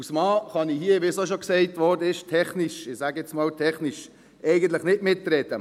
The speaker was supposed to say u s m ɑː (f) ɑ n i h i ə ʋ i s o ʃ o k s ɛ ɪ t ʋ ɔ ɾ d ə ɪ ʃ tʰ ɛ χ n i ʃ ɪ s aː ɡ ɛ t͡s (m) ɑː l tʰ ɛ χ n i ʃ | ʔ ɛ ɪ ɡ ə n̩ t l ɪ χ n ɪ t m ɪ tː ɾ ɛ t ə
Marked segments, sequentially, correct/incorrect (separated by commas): incorrect, correct